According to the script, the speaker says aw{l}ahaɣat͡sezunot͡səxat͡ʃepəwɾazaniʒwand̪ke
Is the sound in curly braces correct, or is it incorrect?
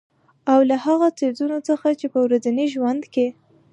correct